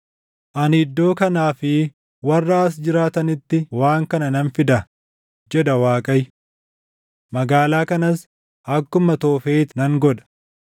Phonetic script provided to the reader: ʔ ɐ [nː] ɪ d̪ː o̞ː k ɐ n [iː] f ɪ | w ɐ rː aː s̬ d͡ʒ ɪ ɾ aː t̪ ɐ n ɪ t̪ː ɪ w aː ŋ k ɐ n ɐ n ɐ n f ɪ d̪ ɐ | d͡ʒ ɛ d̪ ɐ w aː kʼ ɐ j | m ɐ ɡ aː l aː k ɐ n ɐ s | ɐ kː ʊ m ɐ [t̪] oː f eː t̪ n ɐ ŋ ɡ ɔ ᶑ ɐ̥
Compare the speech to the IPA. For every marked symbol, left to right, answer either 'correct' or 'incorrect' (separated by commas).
incorrect, incorrect, correct